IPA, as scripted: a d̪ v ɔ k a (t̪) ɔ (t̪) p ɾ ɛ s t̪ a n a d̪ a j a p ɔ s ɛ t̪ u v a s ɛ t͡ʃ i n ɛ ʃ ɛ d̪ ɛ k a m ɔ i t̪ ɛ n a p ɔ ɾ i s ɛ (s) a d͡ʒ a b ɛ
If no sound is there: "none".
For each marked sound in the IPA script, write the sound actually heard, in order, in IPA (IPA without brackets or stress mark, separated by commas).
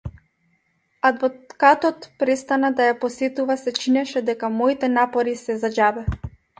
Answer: t̪, t̪, z